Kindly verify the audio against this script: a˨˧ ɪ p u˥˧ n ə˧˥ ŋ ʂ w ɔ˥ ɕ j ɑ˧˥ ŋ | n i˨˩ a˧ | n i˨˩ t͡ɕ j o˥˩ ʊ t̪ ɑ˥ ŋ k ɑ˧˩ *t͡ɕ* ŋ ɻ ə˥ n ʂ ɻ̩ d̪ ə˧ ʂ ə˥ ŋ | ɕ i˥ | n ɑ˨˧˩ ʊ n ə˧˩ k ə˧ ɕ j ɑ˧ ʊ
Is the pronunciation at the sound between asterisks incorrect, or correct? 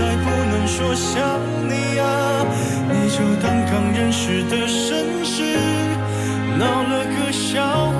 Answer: incorrect